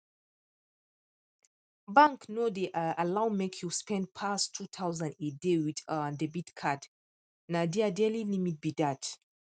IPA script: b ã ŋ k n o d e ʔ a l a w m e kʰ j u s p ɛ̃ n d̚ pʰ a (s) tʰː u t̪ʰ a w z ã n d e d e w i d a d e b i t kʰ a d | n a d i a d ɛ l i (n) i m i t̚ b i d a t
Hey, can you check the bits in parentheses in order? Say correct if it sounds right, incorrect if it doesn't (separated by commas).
correct, correct